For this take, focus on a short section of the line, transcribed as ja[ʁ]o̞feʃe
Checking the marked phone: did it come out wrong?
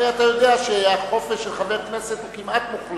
yes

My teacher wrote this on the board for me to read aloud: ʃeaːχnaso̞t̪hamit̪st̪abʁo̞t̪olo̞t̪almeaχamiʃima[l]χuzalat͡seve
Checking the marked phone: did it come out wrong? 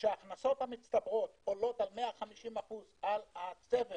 yes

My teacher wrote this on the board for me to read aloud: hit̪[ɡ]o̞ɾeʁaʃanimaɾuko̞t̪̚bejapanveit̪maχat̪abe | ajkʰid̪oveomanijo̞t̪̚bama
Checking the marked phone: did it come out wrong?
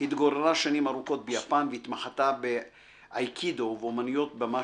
no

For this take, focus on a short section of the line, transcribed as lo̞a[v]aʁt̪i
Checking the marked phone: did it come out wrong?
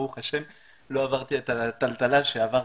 no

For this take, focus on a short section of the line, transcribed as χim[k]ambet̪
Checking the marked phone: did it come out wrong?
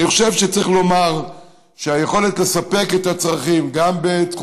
yes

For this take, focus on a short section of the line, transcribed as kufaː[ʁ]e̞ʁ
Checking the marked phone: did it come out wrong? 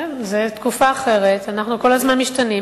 yes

